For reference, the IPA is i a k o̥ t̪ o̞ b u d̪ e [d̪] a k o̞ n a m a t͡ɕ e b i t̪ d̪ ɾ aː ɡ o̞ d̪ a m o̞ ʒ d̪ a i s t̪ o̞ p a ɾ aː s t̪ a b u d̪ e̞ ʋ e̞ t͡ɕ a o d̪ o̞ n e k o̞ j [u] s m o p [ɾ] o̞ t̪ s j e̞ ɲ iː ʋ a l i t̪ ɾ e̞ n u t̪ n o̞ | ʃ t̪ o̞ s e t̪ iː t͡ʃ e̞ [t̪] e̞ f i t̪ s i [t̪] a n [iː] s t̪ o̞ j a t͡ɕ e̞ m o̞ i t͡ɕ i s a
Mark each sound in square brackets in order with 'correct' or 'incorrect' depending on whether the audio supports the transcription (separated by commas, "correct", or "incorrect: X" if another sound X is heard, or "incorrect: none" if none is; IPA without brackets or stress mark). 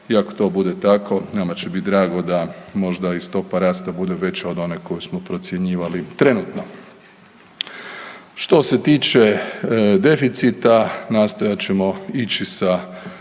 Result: incorrect: t̪, correct, correct, incorrect: d̪, correct, incorrect: aː